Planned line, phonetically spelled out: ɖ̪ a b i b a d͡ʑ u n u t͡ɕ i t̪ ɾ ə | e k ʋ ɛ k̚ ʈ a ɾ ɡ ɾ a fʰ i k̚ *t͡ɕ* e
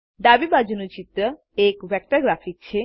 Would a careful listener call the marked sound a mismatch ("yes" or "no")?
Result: yes